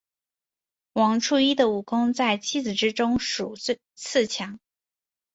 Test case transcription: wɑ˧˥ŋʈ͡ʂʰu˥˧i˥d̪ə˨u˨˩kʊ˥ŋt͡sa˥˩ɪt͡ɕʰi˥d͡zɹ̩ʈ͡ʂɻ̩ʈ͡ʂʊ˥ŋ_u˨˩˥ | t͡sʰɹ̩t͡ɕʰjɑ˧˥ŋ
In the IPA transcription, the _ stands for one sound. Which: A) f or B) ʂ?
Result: B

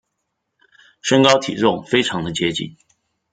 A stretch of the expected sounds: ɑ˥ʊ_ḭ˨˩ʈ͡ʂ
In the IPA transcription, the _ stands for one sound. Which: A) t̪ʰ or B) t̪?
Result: A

